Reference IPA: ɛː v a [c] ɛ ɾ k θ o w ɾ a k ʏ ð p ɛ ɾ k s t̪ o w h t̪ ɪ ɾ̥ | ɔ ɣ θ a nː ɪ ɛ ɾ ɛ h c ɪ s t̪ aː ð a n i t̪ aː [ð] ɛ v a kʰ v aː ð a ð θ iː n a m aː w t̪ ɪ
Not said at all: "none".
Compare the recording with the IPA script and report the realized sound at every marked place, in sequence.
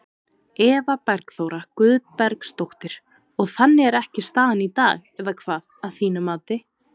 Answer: p, ɣ

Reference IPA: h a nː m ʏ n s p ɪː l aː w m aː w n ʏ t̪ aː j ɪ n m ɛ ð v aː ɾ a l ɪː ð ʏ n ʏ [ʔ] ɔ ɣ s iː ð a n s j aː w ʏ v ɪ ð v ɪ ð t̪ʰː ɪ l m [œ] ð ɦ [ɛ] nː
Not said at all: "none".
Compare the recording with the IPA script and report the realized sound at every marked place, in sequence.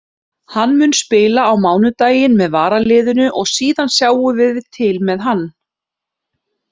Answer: ʔ, ɛ, a

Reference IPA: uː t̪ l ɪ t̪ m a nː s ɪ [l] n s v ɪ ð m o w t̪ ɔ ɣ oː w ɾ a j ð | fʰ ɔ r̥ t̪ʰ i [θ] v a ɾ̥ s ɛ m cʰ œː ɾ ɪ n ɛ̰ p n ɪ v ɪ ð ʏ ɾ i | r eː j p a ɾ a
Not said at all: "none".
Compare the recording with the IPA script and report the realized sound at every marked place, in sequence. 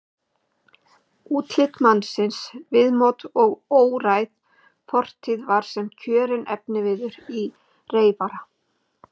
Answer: none, ð

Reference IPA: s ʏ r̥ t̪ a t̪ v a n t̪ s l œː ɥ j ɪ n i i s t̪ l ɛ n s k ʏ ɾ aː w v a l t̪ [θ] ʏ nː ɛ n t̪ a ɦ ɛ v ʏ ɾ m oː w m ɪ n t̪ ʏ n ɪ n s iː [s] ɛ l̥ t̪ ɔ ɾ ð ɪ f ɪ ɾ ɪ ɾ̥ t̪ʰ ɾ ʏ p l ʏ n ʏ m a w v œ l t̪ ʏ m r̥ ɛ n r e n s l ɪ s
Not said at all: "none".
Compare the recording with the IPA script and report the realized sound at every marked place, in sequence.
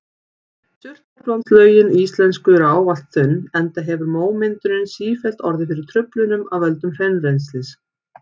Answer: θ, f

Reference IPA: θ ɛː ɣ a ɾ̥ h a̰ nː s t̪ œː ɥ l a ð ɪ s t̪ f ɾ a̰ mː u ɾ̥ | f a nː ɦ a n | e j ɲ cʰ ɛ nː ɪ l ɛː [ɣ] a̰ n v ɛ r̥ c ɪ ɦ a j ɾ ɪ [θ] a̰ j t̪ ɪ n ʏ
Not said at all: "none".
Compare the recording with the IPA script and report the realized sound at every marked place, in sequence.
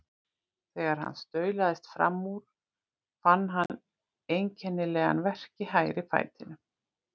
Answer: ɣ, f

